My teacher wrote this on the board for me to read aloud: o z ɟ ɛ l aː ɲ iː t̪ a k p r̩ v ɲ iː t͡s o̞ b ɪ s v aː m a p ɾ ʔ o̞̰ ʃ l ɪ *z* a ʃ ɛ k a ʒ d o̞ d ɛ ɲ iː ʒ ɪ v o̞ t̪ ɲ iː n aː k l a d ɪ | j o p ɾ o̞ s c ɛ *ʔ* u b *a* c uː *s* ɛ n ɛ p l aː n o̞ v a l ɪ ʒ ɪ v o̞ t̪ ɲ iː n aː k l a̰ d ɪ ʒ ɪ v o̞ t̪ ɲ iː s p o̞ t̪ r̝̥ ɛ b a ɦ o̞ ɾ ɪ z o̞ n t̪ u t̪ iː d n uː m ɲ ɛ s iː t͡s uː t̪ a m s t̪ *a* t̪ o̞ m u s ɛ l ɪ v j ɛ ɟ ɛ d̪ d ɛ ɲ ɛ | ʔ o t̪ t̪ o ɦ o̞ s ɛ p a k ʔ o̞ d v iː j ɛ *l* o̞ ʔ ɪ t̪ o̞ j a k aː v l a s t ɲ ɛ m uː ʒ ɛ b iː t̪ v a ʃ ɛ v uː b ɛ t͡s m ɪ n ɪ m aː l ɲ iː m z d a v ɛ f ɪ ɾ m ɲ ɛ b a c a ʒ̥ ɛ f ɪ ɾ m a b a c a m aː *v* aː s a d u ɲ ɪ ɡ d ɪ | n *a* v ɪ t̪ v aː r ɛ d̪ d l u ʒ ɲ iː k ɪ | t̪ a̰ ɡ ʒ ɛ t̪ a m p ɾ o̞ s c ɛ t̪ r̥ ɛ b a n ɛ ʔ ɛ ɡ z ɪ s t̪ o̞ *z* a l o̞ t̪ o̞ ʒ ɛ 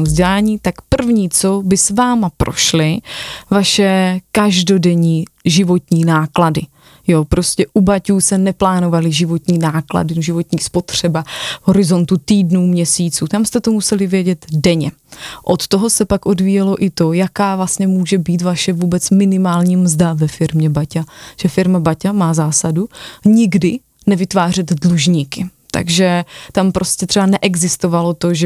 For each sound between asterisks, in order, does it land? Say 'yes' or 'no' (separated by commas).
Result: no, yes, yes, yes, no, yes, no, no, no